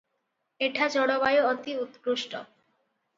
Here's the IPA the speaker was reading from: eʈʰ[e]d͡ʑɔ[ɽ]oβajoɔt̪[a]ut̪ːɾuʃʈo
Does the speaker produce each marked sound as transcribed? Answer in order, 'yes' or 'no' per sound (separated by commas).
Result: no, yes, no